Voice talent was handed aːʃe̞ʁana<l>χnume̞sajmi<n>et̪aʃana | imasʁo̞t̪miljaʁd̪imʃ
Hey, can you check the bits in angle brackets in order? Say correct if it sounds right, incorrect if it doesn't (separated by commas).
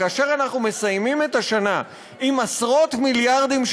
incorrect, incorrect